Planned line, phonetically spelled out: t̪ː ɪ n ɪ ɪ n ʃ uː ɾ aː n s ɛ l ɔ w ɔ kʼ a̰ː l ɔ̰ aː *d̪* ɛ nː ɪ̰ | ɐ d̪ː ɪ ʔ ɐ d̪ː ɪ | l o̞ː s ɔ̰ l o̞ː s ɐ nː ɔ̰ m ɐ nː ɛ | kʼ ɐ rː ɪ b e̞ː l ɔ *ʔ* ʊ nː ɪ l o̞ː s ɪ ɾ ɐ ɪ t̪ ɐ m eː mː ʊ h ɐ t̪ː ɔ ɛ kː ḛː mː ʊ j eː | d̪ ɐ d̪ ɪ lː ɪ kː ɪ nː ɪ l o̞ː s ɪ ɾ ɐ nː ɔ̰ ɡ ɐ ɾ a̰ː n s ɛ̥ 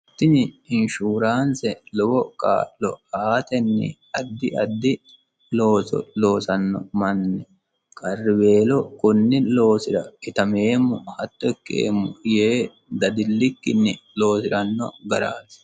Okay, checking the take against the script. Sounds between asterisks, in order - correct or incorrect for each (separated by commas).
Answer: incorrect, incorrect